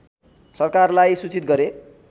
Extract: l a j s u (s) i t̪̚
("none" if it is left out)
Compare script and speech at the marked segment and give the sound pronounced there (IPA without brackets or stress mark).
t͡s